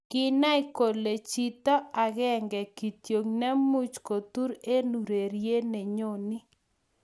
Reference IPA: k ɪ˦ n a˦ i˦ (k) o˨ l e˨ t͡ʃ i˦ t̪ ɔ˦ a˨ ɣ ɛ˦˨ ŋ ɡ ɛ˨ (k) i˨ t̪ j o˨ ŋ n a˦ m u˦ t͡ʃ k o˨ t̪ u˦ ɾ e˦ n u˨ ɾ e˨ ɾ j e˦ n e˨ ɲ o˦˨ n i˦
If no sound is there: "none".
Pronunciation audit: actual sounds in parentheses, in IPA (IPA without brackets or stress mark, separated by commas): k, k